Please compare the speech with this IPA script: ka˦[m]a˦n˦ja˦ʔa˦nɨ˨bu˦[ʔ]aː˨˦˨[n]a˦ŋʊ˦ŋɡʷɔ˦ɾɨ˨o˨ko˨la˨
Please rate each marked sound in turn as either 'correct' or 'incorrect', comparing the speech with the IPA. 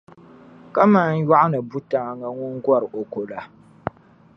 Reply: correct, incorrect, incorrect

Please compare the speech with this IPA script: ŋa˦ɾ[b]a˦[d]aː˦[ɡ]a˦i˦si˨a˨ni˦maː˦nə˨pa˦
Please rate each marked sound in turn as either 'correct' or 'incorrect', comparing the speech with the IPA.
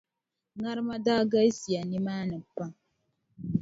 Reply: incorrect, correct, correct

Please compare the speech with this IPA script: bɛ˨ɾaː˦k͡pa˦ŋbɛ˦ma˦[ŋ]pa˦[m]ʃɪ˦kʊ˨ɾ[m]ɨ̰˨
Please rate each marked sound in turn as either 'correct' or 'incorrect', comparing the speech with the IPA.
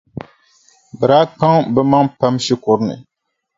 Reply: correct, correct, incorrect

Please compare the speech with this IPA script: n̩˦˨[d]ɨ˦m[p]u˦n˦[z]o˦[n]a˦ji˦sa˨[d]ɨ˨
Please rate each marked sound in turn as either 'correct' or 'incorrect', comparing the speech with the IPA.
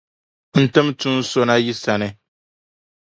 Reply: incorrect, incorrect, incorrect, correct, incorrect

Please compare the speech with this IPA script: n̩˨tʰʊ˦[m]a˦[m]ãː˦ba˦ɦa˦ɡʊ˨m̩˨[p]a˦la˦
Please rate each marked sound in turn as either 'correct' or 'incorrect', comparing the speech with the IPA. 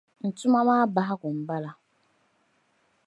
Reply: correct, correct, incorrect

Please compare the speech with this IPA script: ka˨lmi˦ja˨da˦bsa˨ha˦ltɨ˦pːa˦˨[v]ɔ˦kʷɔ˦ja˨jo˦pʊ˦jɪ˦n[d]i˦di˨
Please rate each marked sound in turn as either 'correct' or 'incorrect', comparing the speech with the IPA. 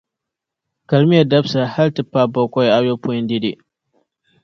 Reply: incorrect, correct

